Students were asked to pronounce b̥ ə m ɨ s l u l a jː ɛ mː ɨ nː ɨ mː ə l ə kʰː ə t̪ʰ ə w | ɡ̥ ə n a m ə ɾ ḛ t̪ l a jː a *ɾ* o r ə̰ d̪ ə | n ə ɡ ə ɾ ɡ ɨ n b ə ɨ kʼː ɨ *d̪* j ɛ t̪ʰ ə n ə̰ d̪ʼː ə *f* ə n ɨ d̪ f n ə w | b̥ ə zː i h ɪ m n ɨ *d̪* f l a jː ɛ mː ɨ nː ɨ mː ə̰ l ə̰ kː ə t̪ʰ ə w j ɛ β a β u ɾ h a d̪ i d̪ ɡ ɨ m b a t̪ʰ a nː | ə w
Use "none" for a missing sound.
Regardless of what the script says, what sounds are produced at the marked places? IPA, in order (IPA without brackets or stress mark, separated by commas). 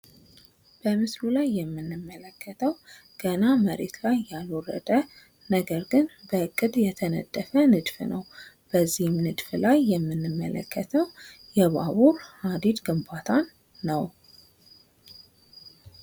l, d̪, f, d̪